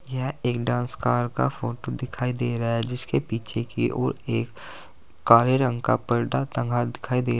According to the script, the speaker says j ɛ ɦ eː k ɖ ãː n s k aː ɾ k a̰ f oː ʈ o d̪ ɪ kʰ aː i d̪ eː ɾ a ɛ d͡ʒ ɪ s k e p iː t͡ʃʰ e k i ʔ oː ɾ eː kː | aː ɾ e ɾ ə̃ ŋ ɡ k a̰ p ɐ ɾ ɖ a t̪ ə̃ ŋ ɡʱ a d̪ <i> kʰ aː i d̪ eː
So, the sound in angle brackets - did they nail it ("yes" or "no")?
no